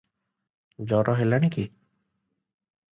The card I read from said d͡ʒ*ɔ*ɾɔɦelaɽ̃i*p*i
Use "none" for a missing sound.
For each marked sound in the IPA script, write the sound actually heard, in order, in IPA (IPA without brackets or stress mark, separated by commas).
ɔ, k